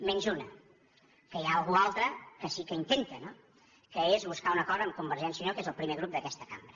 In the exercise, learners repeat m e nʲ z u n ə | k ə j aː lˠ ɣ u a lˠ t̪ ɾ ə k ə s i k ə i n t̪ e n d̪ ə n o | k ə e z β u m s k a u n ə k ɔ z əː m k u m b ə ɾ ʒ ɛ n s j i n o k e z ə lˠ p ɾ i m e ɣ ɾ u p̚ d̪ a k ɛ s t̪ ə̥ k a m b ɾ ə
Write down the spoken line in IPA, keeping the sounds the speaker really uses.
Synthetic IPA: m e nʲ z u n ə | k ə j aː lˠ ɣ u a lˠ t̪ ɾ ə k ə s i k ə i n t̪ e n t̪ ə n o | k ə e z β u s k a u n ə k ɔ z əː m k u m b ə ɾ ʒ ɛ n s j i n o k e z ə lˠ p ɾ i m e ɣ ɾ u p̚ d̪ ə k ɛ s t̪ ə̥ k a m b ɾ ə